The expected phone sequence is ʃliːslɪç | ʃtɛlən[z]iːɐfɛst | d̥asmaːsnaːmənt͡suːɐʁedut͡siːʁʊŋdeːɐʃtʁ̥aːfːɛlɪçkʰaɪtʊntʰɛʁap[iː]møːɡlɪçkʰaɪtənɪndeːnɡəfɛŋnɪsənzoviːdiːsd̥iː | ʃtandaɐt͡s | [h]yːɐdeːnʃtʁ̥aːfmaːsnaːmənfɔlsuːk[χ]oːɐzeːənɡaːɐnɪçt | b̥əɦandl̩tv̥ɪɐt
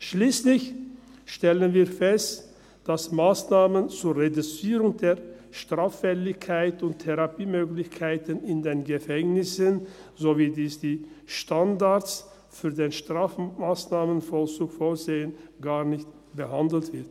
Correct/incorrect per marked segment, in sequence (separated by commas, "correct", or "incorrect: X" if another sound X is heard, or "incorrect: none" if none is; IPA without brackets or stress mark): incorrect: v, correct, incorrect: f, incorrect: f